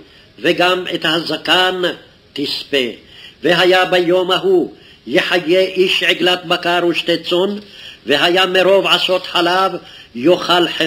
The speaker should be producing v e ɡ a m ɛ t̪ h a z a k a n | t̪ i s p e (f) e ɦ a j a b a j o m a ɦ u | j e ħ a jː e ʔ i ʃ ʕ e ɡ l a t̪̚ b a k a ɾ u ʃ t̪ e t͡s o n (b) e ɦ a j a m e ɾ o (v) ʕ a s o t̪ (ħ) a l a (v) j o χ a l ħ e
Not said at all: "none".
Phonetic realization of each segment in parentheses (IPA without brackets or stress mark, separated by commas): v, v, v, ħ, v